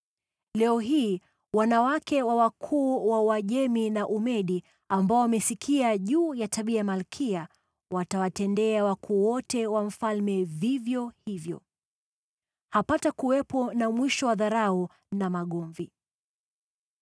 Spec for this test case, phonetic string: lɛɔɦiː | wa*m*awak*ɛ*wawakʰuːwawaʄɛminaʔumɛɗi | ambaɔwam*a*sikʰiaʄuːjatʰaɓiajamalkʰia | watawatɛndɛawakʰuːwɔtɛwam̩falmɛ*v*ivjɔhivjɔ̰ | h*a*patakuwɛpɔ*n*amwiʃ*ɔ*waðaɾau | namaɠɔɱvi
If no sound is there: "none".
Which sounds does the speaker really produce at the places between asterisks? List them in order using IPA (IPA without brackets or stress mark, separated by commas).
n, ɛ, ɛ, v, a, n, ɔ